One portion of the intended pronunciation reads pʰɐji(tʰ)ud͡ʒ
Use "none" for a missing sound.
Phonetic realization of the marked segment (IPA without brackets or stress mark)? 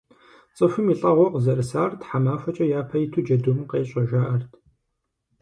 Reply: tʰ